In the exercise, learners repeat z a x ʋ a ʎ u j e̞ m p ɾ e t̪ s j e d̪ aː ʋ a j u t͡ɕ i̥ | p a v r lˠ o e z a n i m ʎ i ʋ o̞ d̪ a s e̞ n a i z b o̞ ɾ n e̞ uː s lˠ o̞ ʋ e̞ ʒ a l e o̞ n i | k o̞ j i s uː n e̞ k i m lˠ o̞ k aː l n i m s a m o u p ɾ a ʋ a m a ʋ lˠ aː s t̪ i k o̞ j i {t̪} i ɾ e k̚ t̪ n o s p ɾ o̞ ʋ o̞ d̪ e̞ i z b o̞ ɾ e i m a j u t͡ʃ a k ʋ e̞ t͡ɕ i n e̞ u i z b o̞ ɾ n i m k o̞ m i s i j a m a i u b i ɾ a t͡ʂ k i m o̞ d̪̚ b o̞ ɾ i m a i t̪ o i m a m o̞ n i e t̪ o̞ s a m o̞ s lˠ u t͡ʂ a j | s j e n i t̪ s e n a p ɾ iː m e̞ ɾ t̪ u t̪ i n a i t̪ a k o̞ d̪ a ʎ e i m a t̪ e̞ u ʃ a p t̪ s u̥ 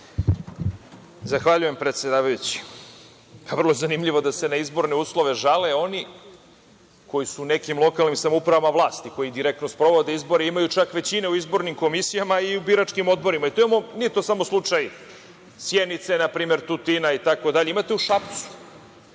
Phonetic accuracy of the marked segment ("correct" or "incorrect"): incorrect